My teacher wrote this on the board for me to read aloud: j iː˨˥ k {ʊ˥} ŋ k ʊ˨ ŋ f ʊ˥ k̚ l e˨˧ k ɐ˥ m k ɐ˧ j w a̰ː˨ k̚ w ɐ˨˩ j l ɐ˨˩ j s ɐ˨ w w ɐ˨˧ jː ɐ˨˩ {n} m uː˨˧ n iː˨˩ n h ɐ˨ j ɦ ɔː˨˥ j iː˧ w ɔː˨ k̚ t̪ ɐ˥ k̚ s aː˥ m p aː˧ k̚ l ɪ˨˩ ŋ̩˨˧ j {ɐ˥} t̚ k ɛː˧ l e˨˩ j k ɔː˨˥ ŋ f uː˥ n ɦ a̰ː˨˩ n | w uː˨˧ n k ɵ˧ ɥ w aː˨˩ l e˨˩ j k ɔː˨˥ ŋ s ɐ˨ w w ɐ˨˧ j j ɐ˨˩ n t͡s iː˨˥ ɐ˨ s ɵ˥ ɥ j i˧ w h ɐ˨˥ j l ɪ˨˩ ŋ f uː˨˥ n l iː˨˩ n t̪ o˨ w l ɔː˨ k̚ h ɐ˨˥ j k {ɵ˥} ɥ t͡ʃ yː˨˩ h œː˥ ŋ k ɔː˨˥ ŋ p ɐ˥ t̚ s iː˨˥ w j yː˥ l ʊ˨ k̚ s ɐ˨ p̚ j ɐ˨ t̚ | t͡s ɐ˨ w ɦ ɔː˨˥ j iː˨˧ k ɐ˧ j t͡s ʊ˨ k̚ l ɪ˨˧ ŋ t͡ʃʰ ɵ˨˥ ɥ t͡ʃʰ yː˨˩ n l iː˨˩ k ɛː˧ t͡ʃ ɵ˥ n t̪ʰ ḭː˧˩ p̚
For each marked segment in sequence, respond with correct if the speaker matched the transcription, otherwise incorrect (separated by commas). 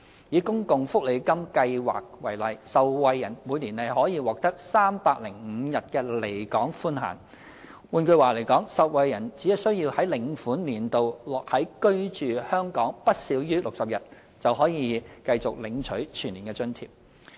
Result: correct, correct, incorrect, correct